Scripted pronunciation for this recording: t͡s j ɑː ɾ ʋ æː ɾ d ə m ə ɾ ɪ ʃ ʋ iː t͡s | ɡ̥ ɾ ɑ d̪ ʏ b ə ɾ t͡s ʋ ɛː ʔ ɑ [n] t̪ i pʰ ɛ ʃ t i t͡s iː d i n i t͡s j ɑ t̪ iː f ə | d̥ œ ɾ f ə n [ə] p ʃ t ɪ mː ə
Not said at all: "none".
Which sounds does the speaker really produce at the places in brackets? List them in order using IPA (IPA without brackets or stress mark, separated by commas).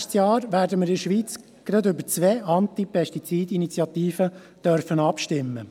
n, ɑ